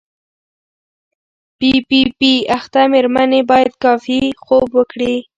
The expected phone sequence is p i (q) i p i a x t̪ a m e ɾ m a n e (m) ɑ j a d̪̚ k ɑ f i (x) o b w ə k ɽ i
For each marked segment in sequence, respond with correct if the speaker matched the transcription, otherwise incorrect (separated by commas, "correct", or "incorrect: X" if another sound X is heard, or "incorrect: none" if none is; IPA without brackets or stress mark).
incorrect: p, incorrect: b, correct